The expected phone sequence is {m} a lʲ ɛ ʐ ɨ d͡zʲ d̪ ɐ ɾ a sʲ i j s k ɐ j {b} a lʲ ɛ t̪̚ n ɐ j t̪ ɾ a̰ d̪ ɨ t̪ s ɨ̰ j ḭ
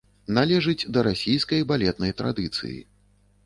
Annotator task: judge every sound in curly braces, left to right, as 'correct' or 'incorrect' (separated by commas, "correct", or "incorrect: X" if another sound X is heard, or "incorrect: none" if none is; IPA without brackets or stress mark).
incorrect: n, correct